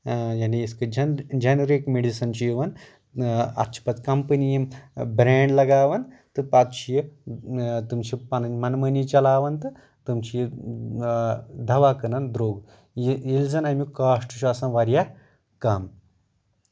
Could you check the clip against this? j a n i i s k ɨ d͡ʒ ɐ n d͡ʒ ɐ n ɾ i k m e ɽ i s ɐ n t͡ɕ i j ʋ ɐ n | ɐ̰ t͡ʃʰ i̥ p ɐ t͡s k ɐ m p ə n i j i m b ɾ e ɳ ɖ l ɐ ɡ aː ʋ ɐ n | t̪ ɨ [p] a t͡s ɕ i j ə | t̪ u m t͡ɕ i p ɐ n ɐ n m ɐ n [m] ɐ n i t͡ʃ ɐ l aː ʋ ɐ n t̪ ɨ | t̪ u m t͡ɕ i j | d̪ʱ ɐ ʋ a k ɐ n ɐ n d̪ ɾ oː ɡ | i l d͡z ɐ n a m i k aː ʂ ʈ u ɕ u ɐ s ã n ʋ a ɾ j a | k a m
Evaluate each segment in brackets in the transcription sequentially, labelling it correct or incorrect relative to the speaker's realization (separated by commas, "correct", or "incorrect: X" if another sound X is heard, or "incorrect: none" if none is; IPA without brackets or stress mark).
correct, correct